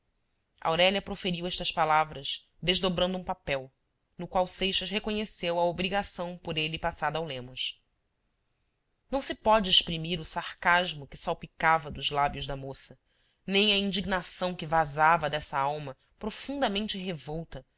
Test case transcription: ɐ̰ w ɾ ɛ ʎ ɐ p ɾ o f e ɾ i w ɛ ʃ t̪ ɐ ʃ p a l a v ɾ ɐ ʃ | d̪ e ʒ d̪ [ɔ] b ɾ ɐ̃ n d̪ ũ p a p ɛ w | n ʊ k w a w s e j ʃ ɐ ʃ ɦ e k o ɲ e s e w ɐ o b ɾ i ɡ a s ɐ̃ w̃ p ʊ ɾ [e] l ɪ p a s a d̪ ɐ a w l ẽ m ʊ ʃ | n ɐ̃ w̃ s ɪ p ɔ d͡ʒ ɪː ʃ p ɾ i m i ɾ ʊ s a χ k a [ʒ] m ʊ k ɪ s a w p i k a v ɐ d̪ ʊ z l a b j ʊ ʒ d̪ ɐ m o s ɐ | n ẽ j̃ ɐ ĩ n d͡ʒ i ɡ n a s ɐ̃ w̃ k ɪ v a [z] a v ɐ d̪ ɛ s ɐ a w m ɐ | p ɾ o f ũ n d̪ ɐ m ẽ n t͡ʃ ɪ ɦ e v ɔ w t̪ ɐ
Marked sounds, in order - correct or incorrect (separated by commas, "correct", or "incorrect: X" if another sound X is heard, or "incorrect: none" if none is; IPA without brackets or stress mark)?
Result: incorrect: o, correct, correct, correct